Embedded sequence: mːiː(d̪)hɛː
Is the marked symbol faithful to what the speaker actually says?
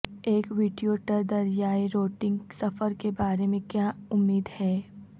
yes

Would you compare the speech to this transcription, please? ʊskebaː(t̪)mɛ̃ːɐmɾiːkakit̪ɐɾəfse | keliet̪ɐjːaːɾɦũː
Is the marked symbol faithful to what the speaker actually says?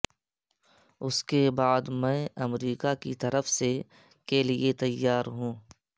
no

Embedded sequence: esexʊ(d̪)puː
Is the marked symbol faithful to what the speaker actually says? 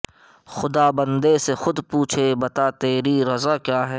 yes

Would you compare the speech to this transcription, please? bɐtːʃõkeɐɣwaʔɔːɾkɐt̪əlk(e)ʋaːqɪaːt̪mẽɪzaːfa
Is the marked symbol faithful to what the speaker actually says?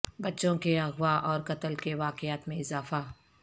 yes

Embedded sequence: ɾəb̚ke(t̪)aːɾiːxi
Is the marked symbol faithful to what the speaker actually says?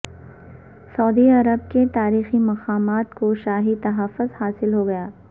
yes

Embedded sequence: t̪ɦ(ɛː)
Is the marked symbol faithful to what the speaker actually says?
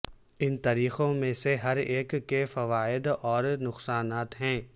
no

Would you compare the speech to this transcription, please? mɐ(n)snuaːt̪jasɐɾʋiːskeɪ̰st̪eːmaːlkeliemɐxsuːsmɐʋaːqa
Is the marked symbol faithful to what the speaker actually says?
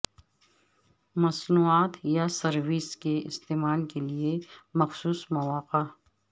no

